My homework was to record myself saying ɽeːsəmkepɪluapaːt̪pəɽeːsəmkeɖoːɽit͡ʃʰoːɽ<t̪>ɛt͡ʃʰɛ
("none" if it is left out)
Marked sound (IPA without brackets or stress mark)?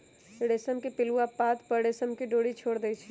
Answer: d̪